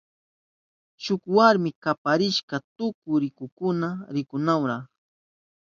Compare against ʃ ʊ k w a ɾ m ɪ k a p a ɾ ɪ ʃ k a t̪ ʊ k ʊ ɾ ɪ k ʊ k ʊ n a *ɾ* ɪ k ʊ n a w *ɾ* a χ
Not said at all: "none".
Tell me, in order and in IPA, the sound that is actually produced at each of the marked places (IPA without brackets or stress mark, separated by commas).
ɾ, ɾ